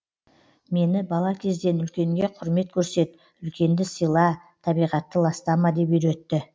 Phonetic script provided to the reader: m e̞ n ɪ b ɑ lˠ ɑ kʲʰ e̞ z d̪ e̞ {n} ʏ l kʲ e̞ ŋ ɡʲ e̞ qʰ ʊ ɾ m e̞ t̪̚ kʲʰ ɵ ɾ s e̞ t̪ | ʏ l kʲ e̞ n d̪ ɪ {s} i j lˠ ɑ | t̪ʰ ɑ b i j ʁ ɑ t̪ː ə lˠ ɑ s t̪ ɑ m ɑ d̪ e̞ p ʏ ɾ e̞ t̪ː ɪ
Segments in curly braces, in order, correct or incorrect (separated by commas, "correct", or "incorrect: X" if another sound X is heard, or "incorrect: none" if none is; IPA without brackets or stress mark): correct, correct